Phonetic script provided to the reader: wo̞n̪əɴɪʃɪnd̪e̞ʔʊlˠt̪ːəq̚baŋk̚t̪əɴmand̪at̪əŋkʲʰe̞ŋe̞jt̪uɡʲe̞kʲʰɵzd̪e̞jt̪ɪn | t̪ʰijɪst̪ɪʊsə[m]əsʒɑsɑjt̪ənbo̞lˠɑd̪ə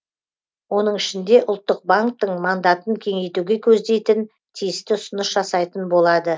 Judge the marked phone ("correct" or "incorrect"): incorrect